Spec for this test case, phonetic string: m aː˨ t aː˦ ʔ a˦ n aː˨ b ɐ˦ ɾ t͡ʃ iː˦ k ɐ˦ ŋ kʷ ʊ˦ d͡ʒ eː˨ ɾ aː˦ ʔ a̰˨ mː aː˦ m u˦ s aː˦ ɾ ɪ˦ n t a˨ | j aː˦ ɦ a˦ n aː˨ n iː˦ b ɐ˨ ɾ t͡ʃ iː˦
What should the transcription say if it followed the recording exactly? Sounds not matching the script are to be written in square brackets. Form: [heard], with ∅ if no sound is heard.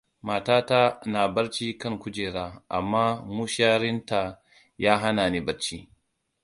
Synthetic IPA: m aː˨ t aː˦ [t] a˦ n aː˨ b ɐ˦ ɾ t͡ʃ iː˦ k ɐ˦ ŋ kʷ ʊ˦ d͡ʒ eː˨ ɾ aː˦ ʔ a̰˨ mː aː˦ m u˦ [ʃ] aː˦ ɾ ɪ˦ n t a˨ | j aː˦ ɦ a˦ n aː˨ n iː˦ b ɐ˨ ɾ t͡ʃ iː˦